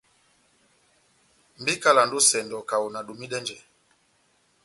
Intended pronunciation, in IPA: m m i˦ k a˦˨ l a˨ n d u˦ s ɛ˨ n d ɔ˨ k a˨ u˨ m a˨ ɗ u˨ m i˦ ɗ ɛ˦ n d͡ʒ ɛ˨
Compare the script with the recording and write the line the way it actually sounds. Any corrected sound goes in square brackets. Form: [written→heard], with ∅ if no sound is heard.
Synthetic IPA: m [m→b] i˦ k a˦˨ l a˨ n d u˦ s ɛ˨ n d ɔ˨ k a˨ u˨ [m→n] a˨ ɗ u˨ m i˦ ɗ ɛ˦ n d͡ʒ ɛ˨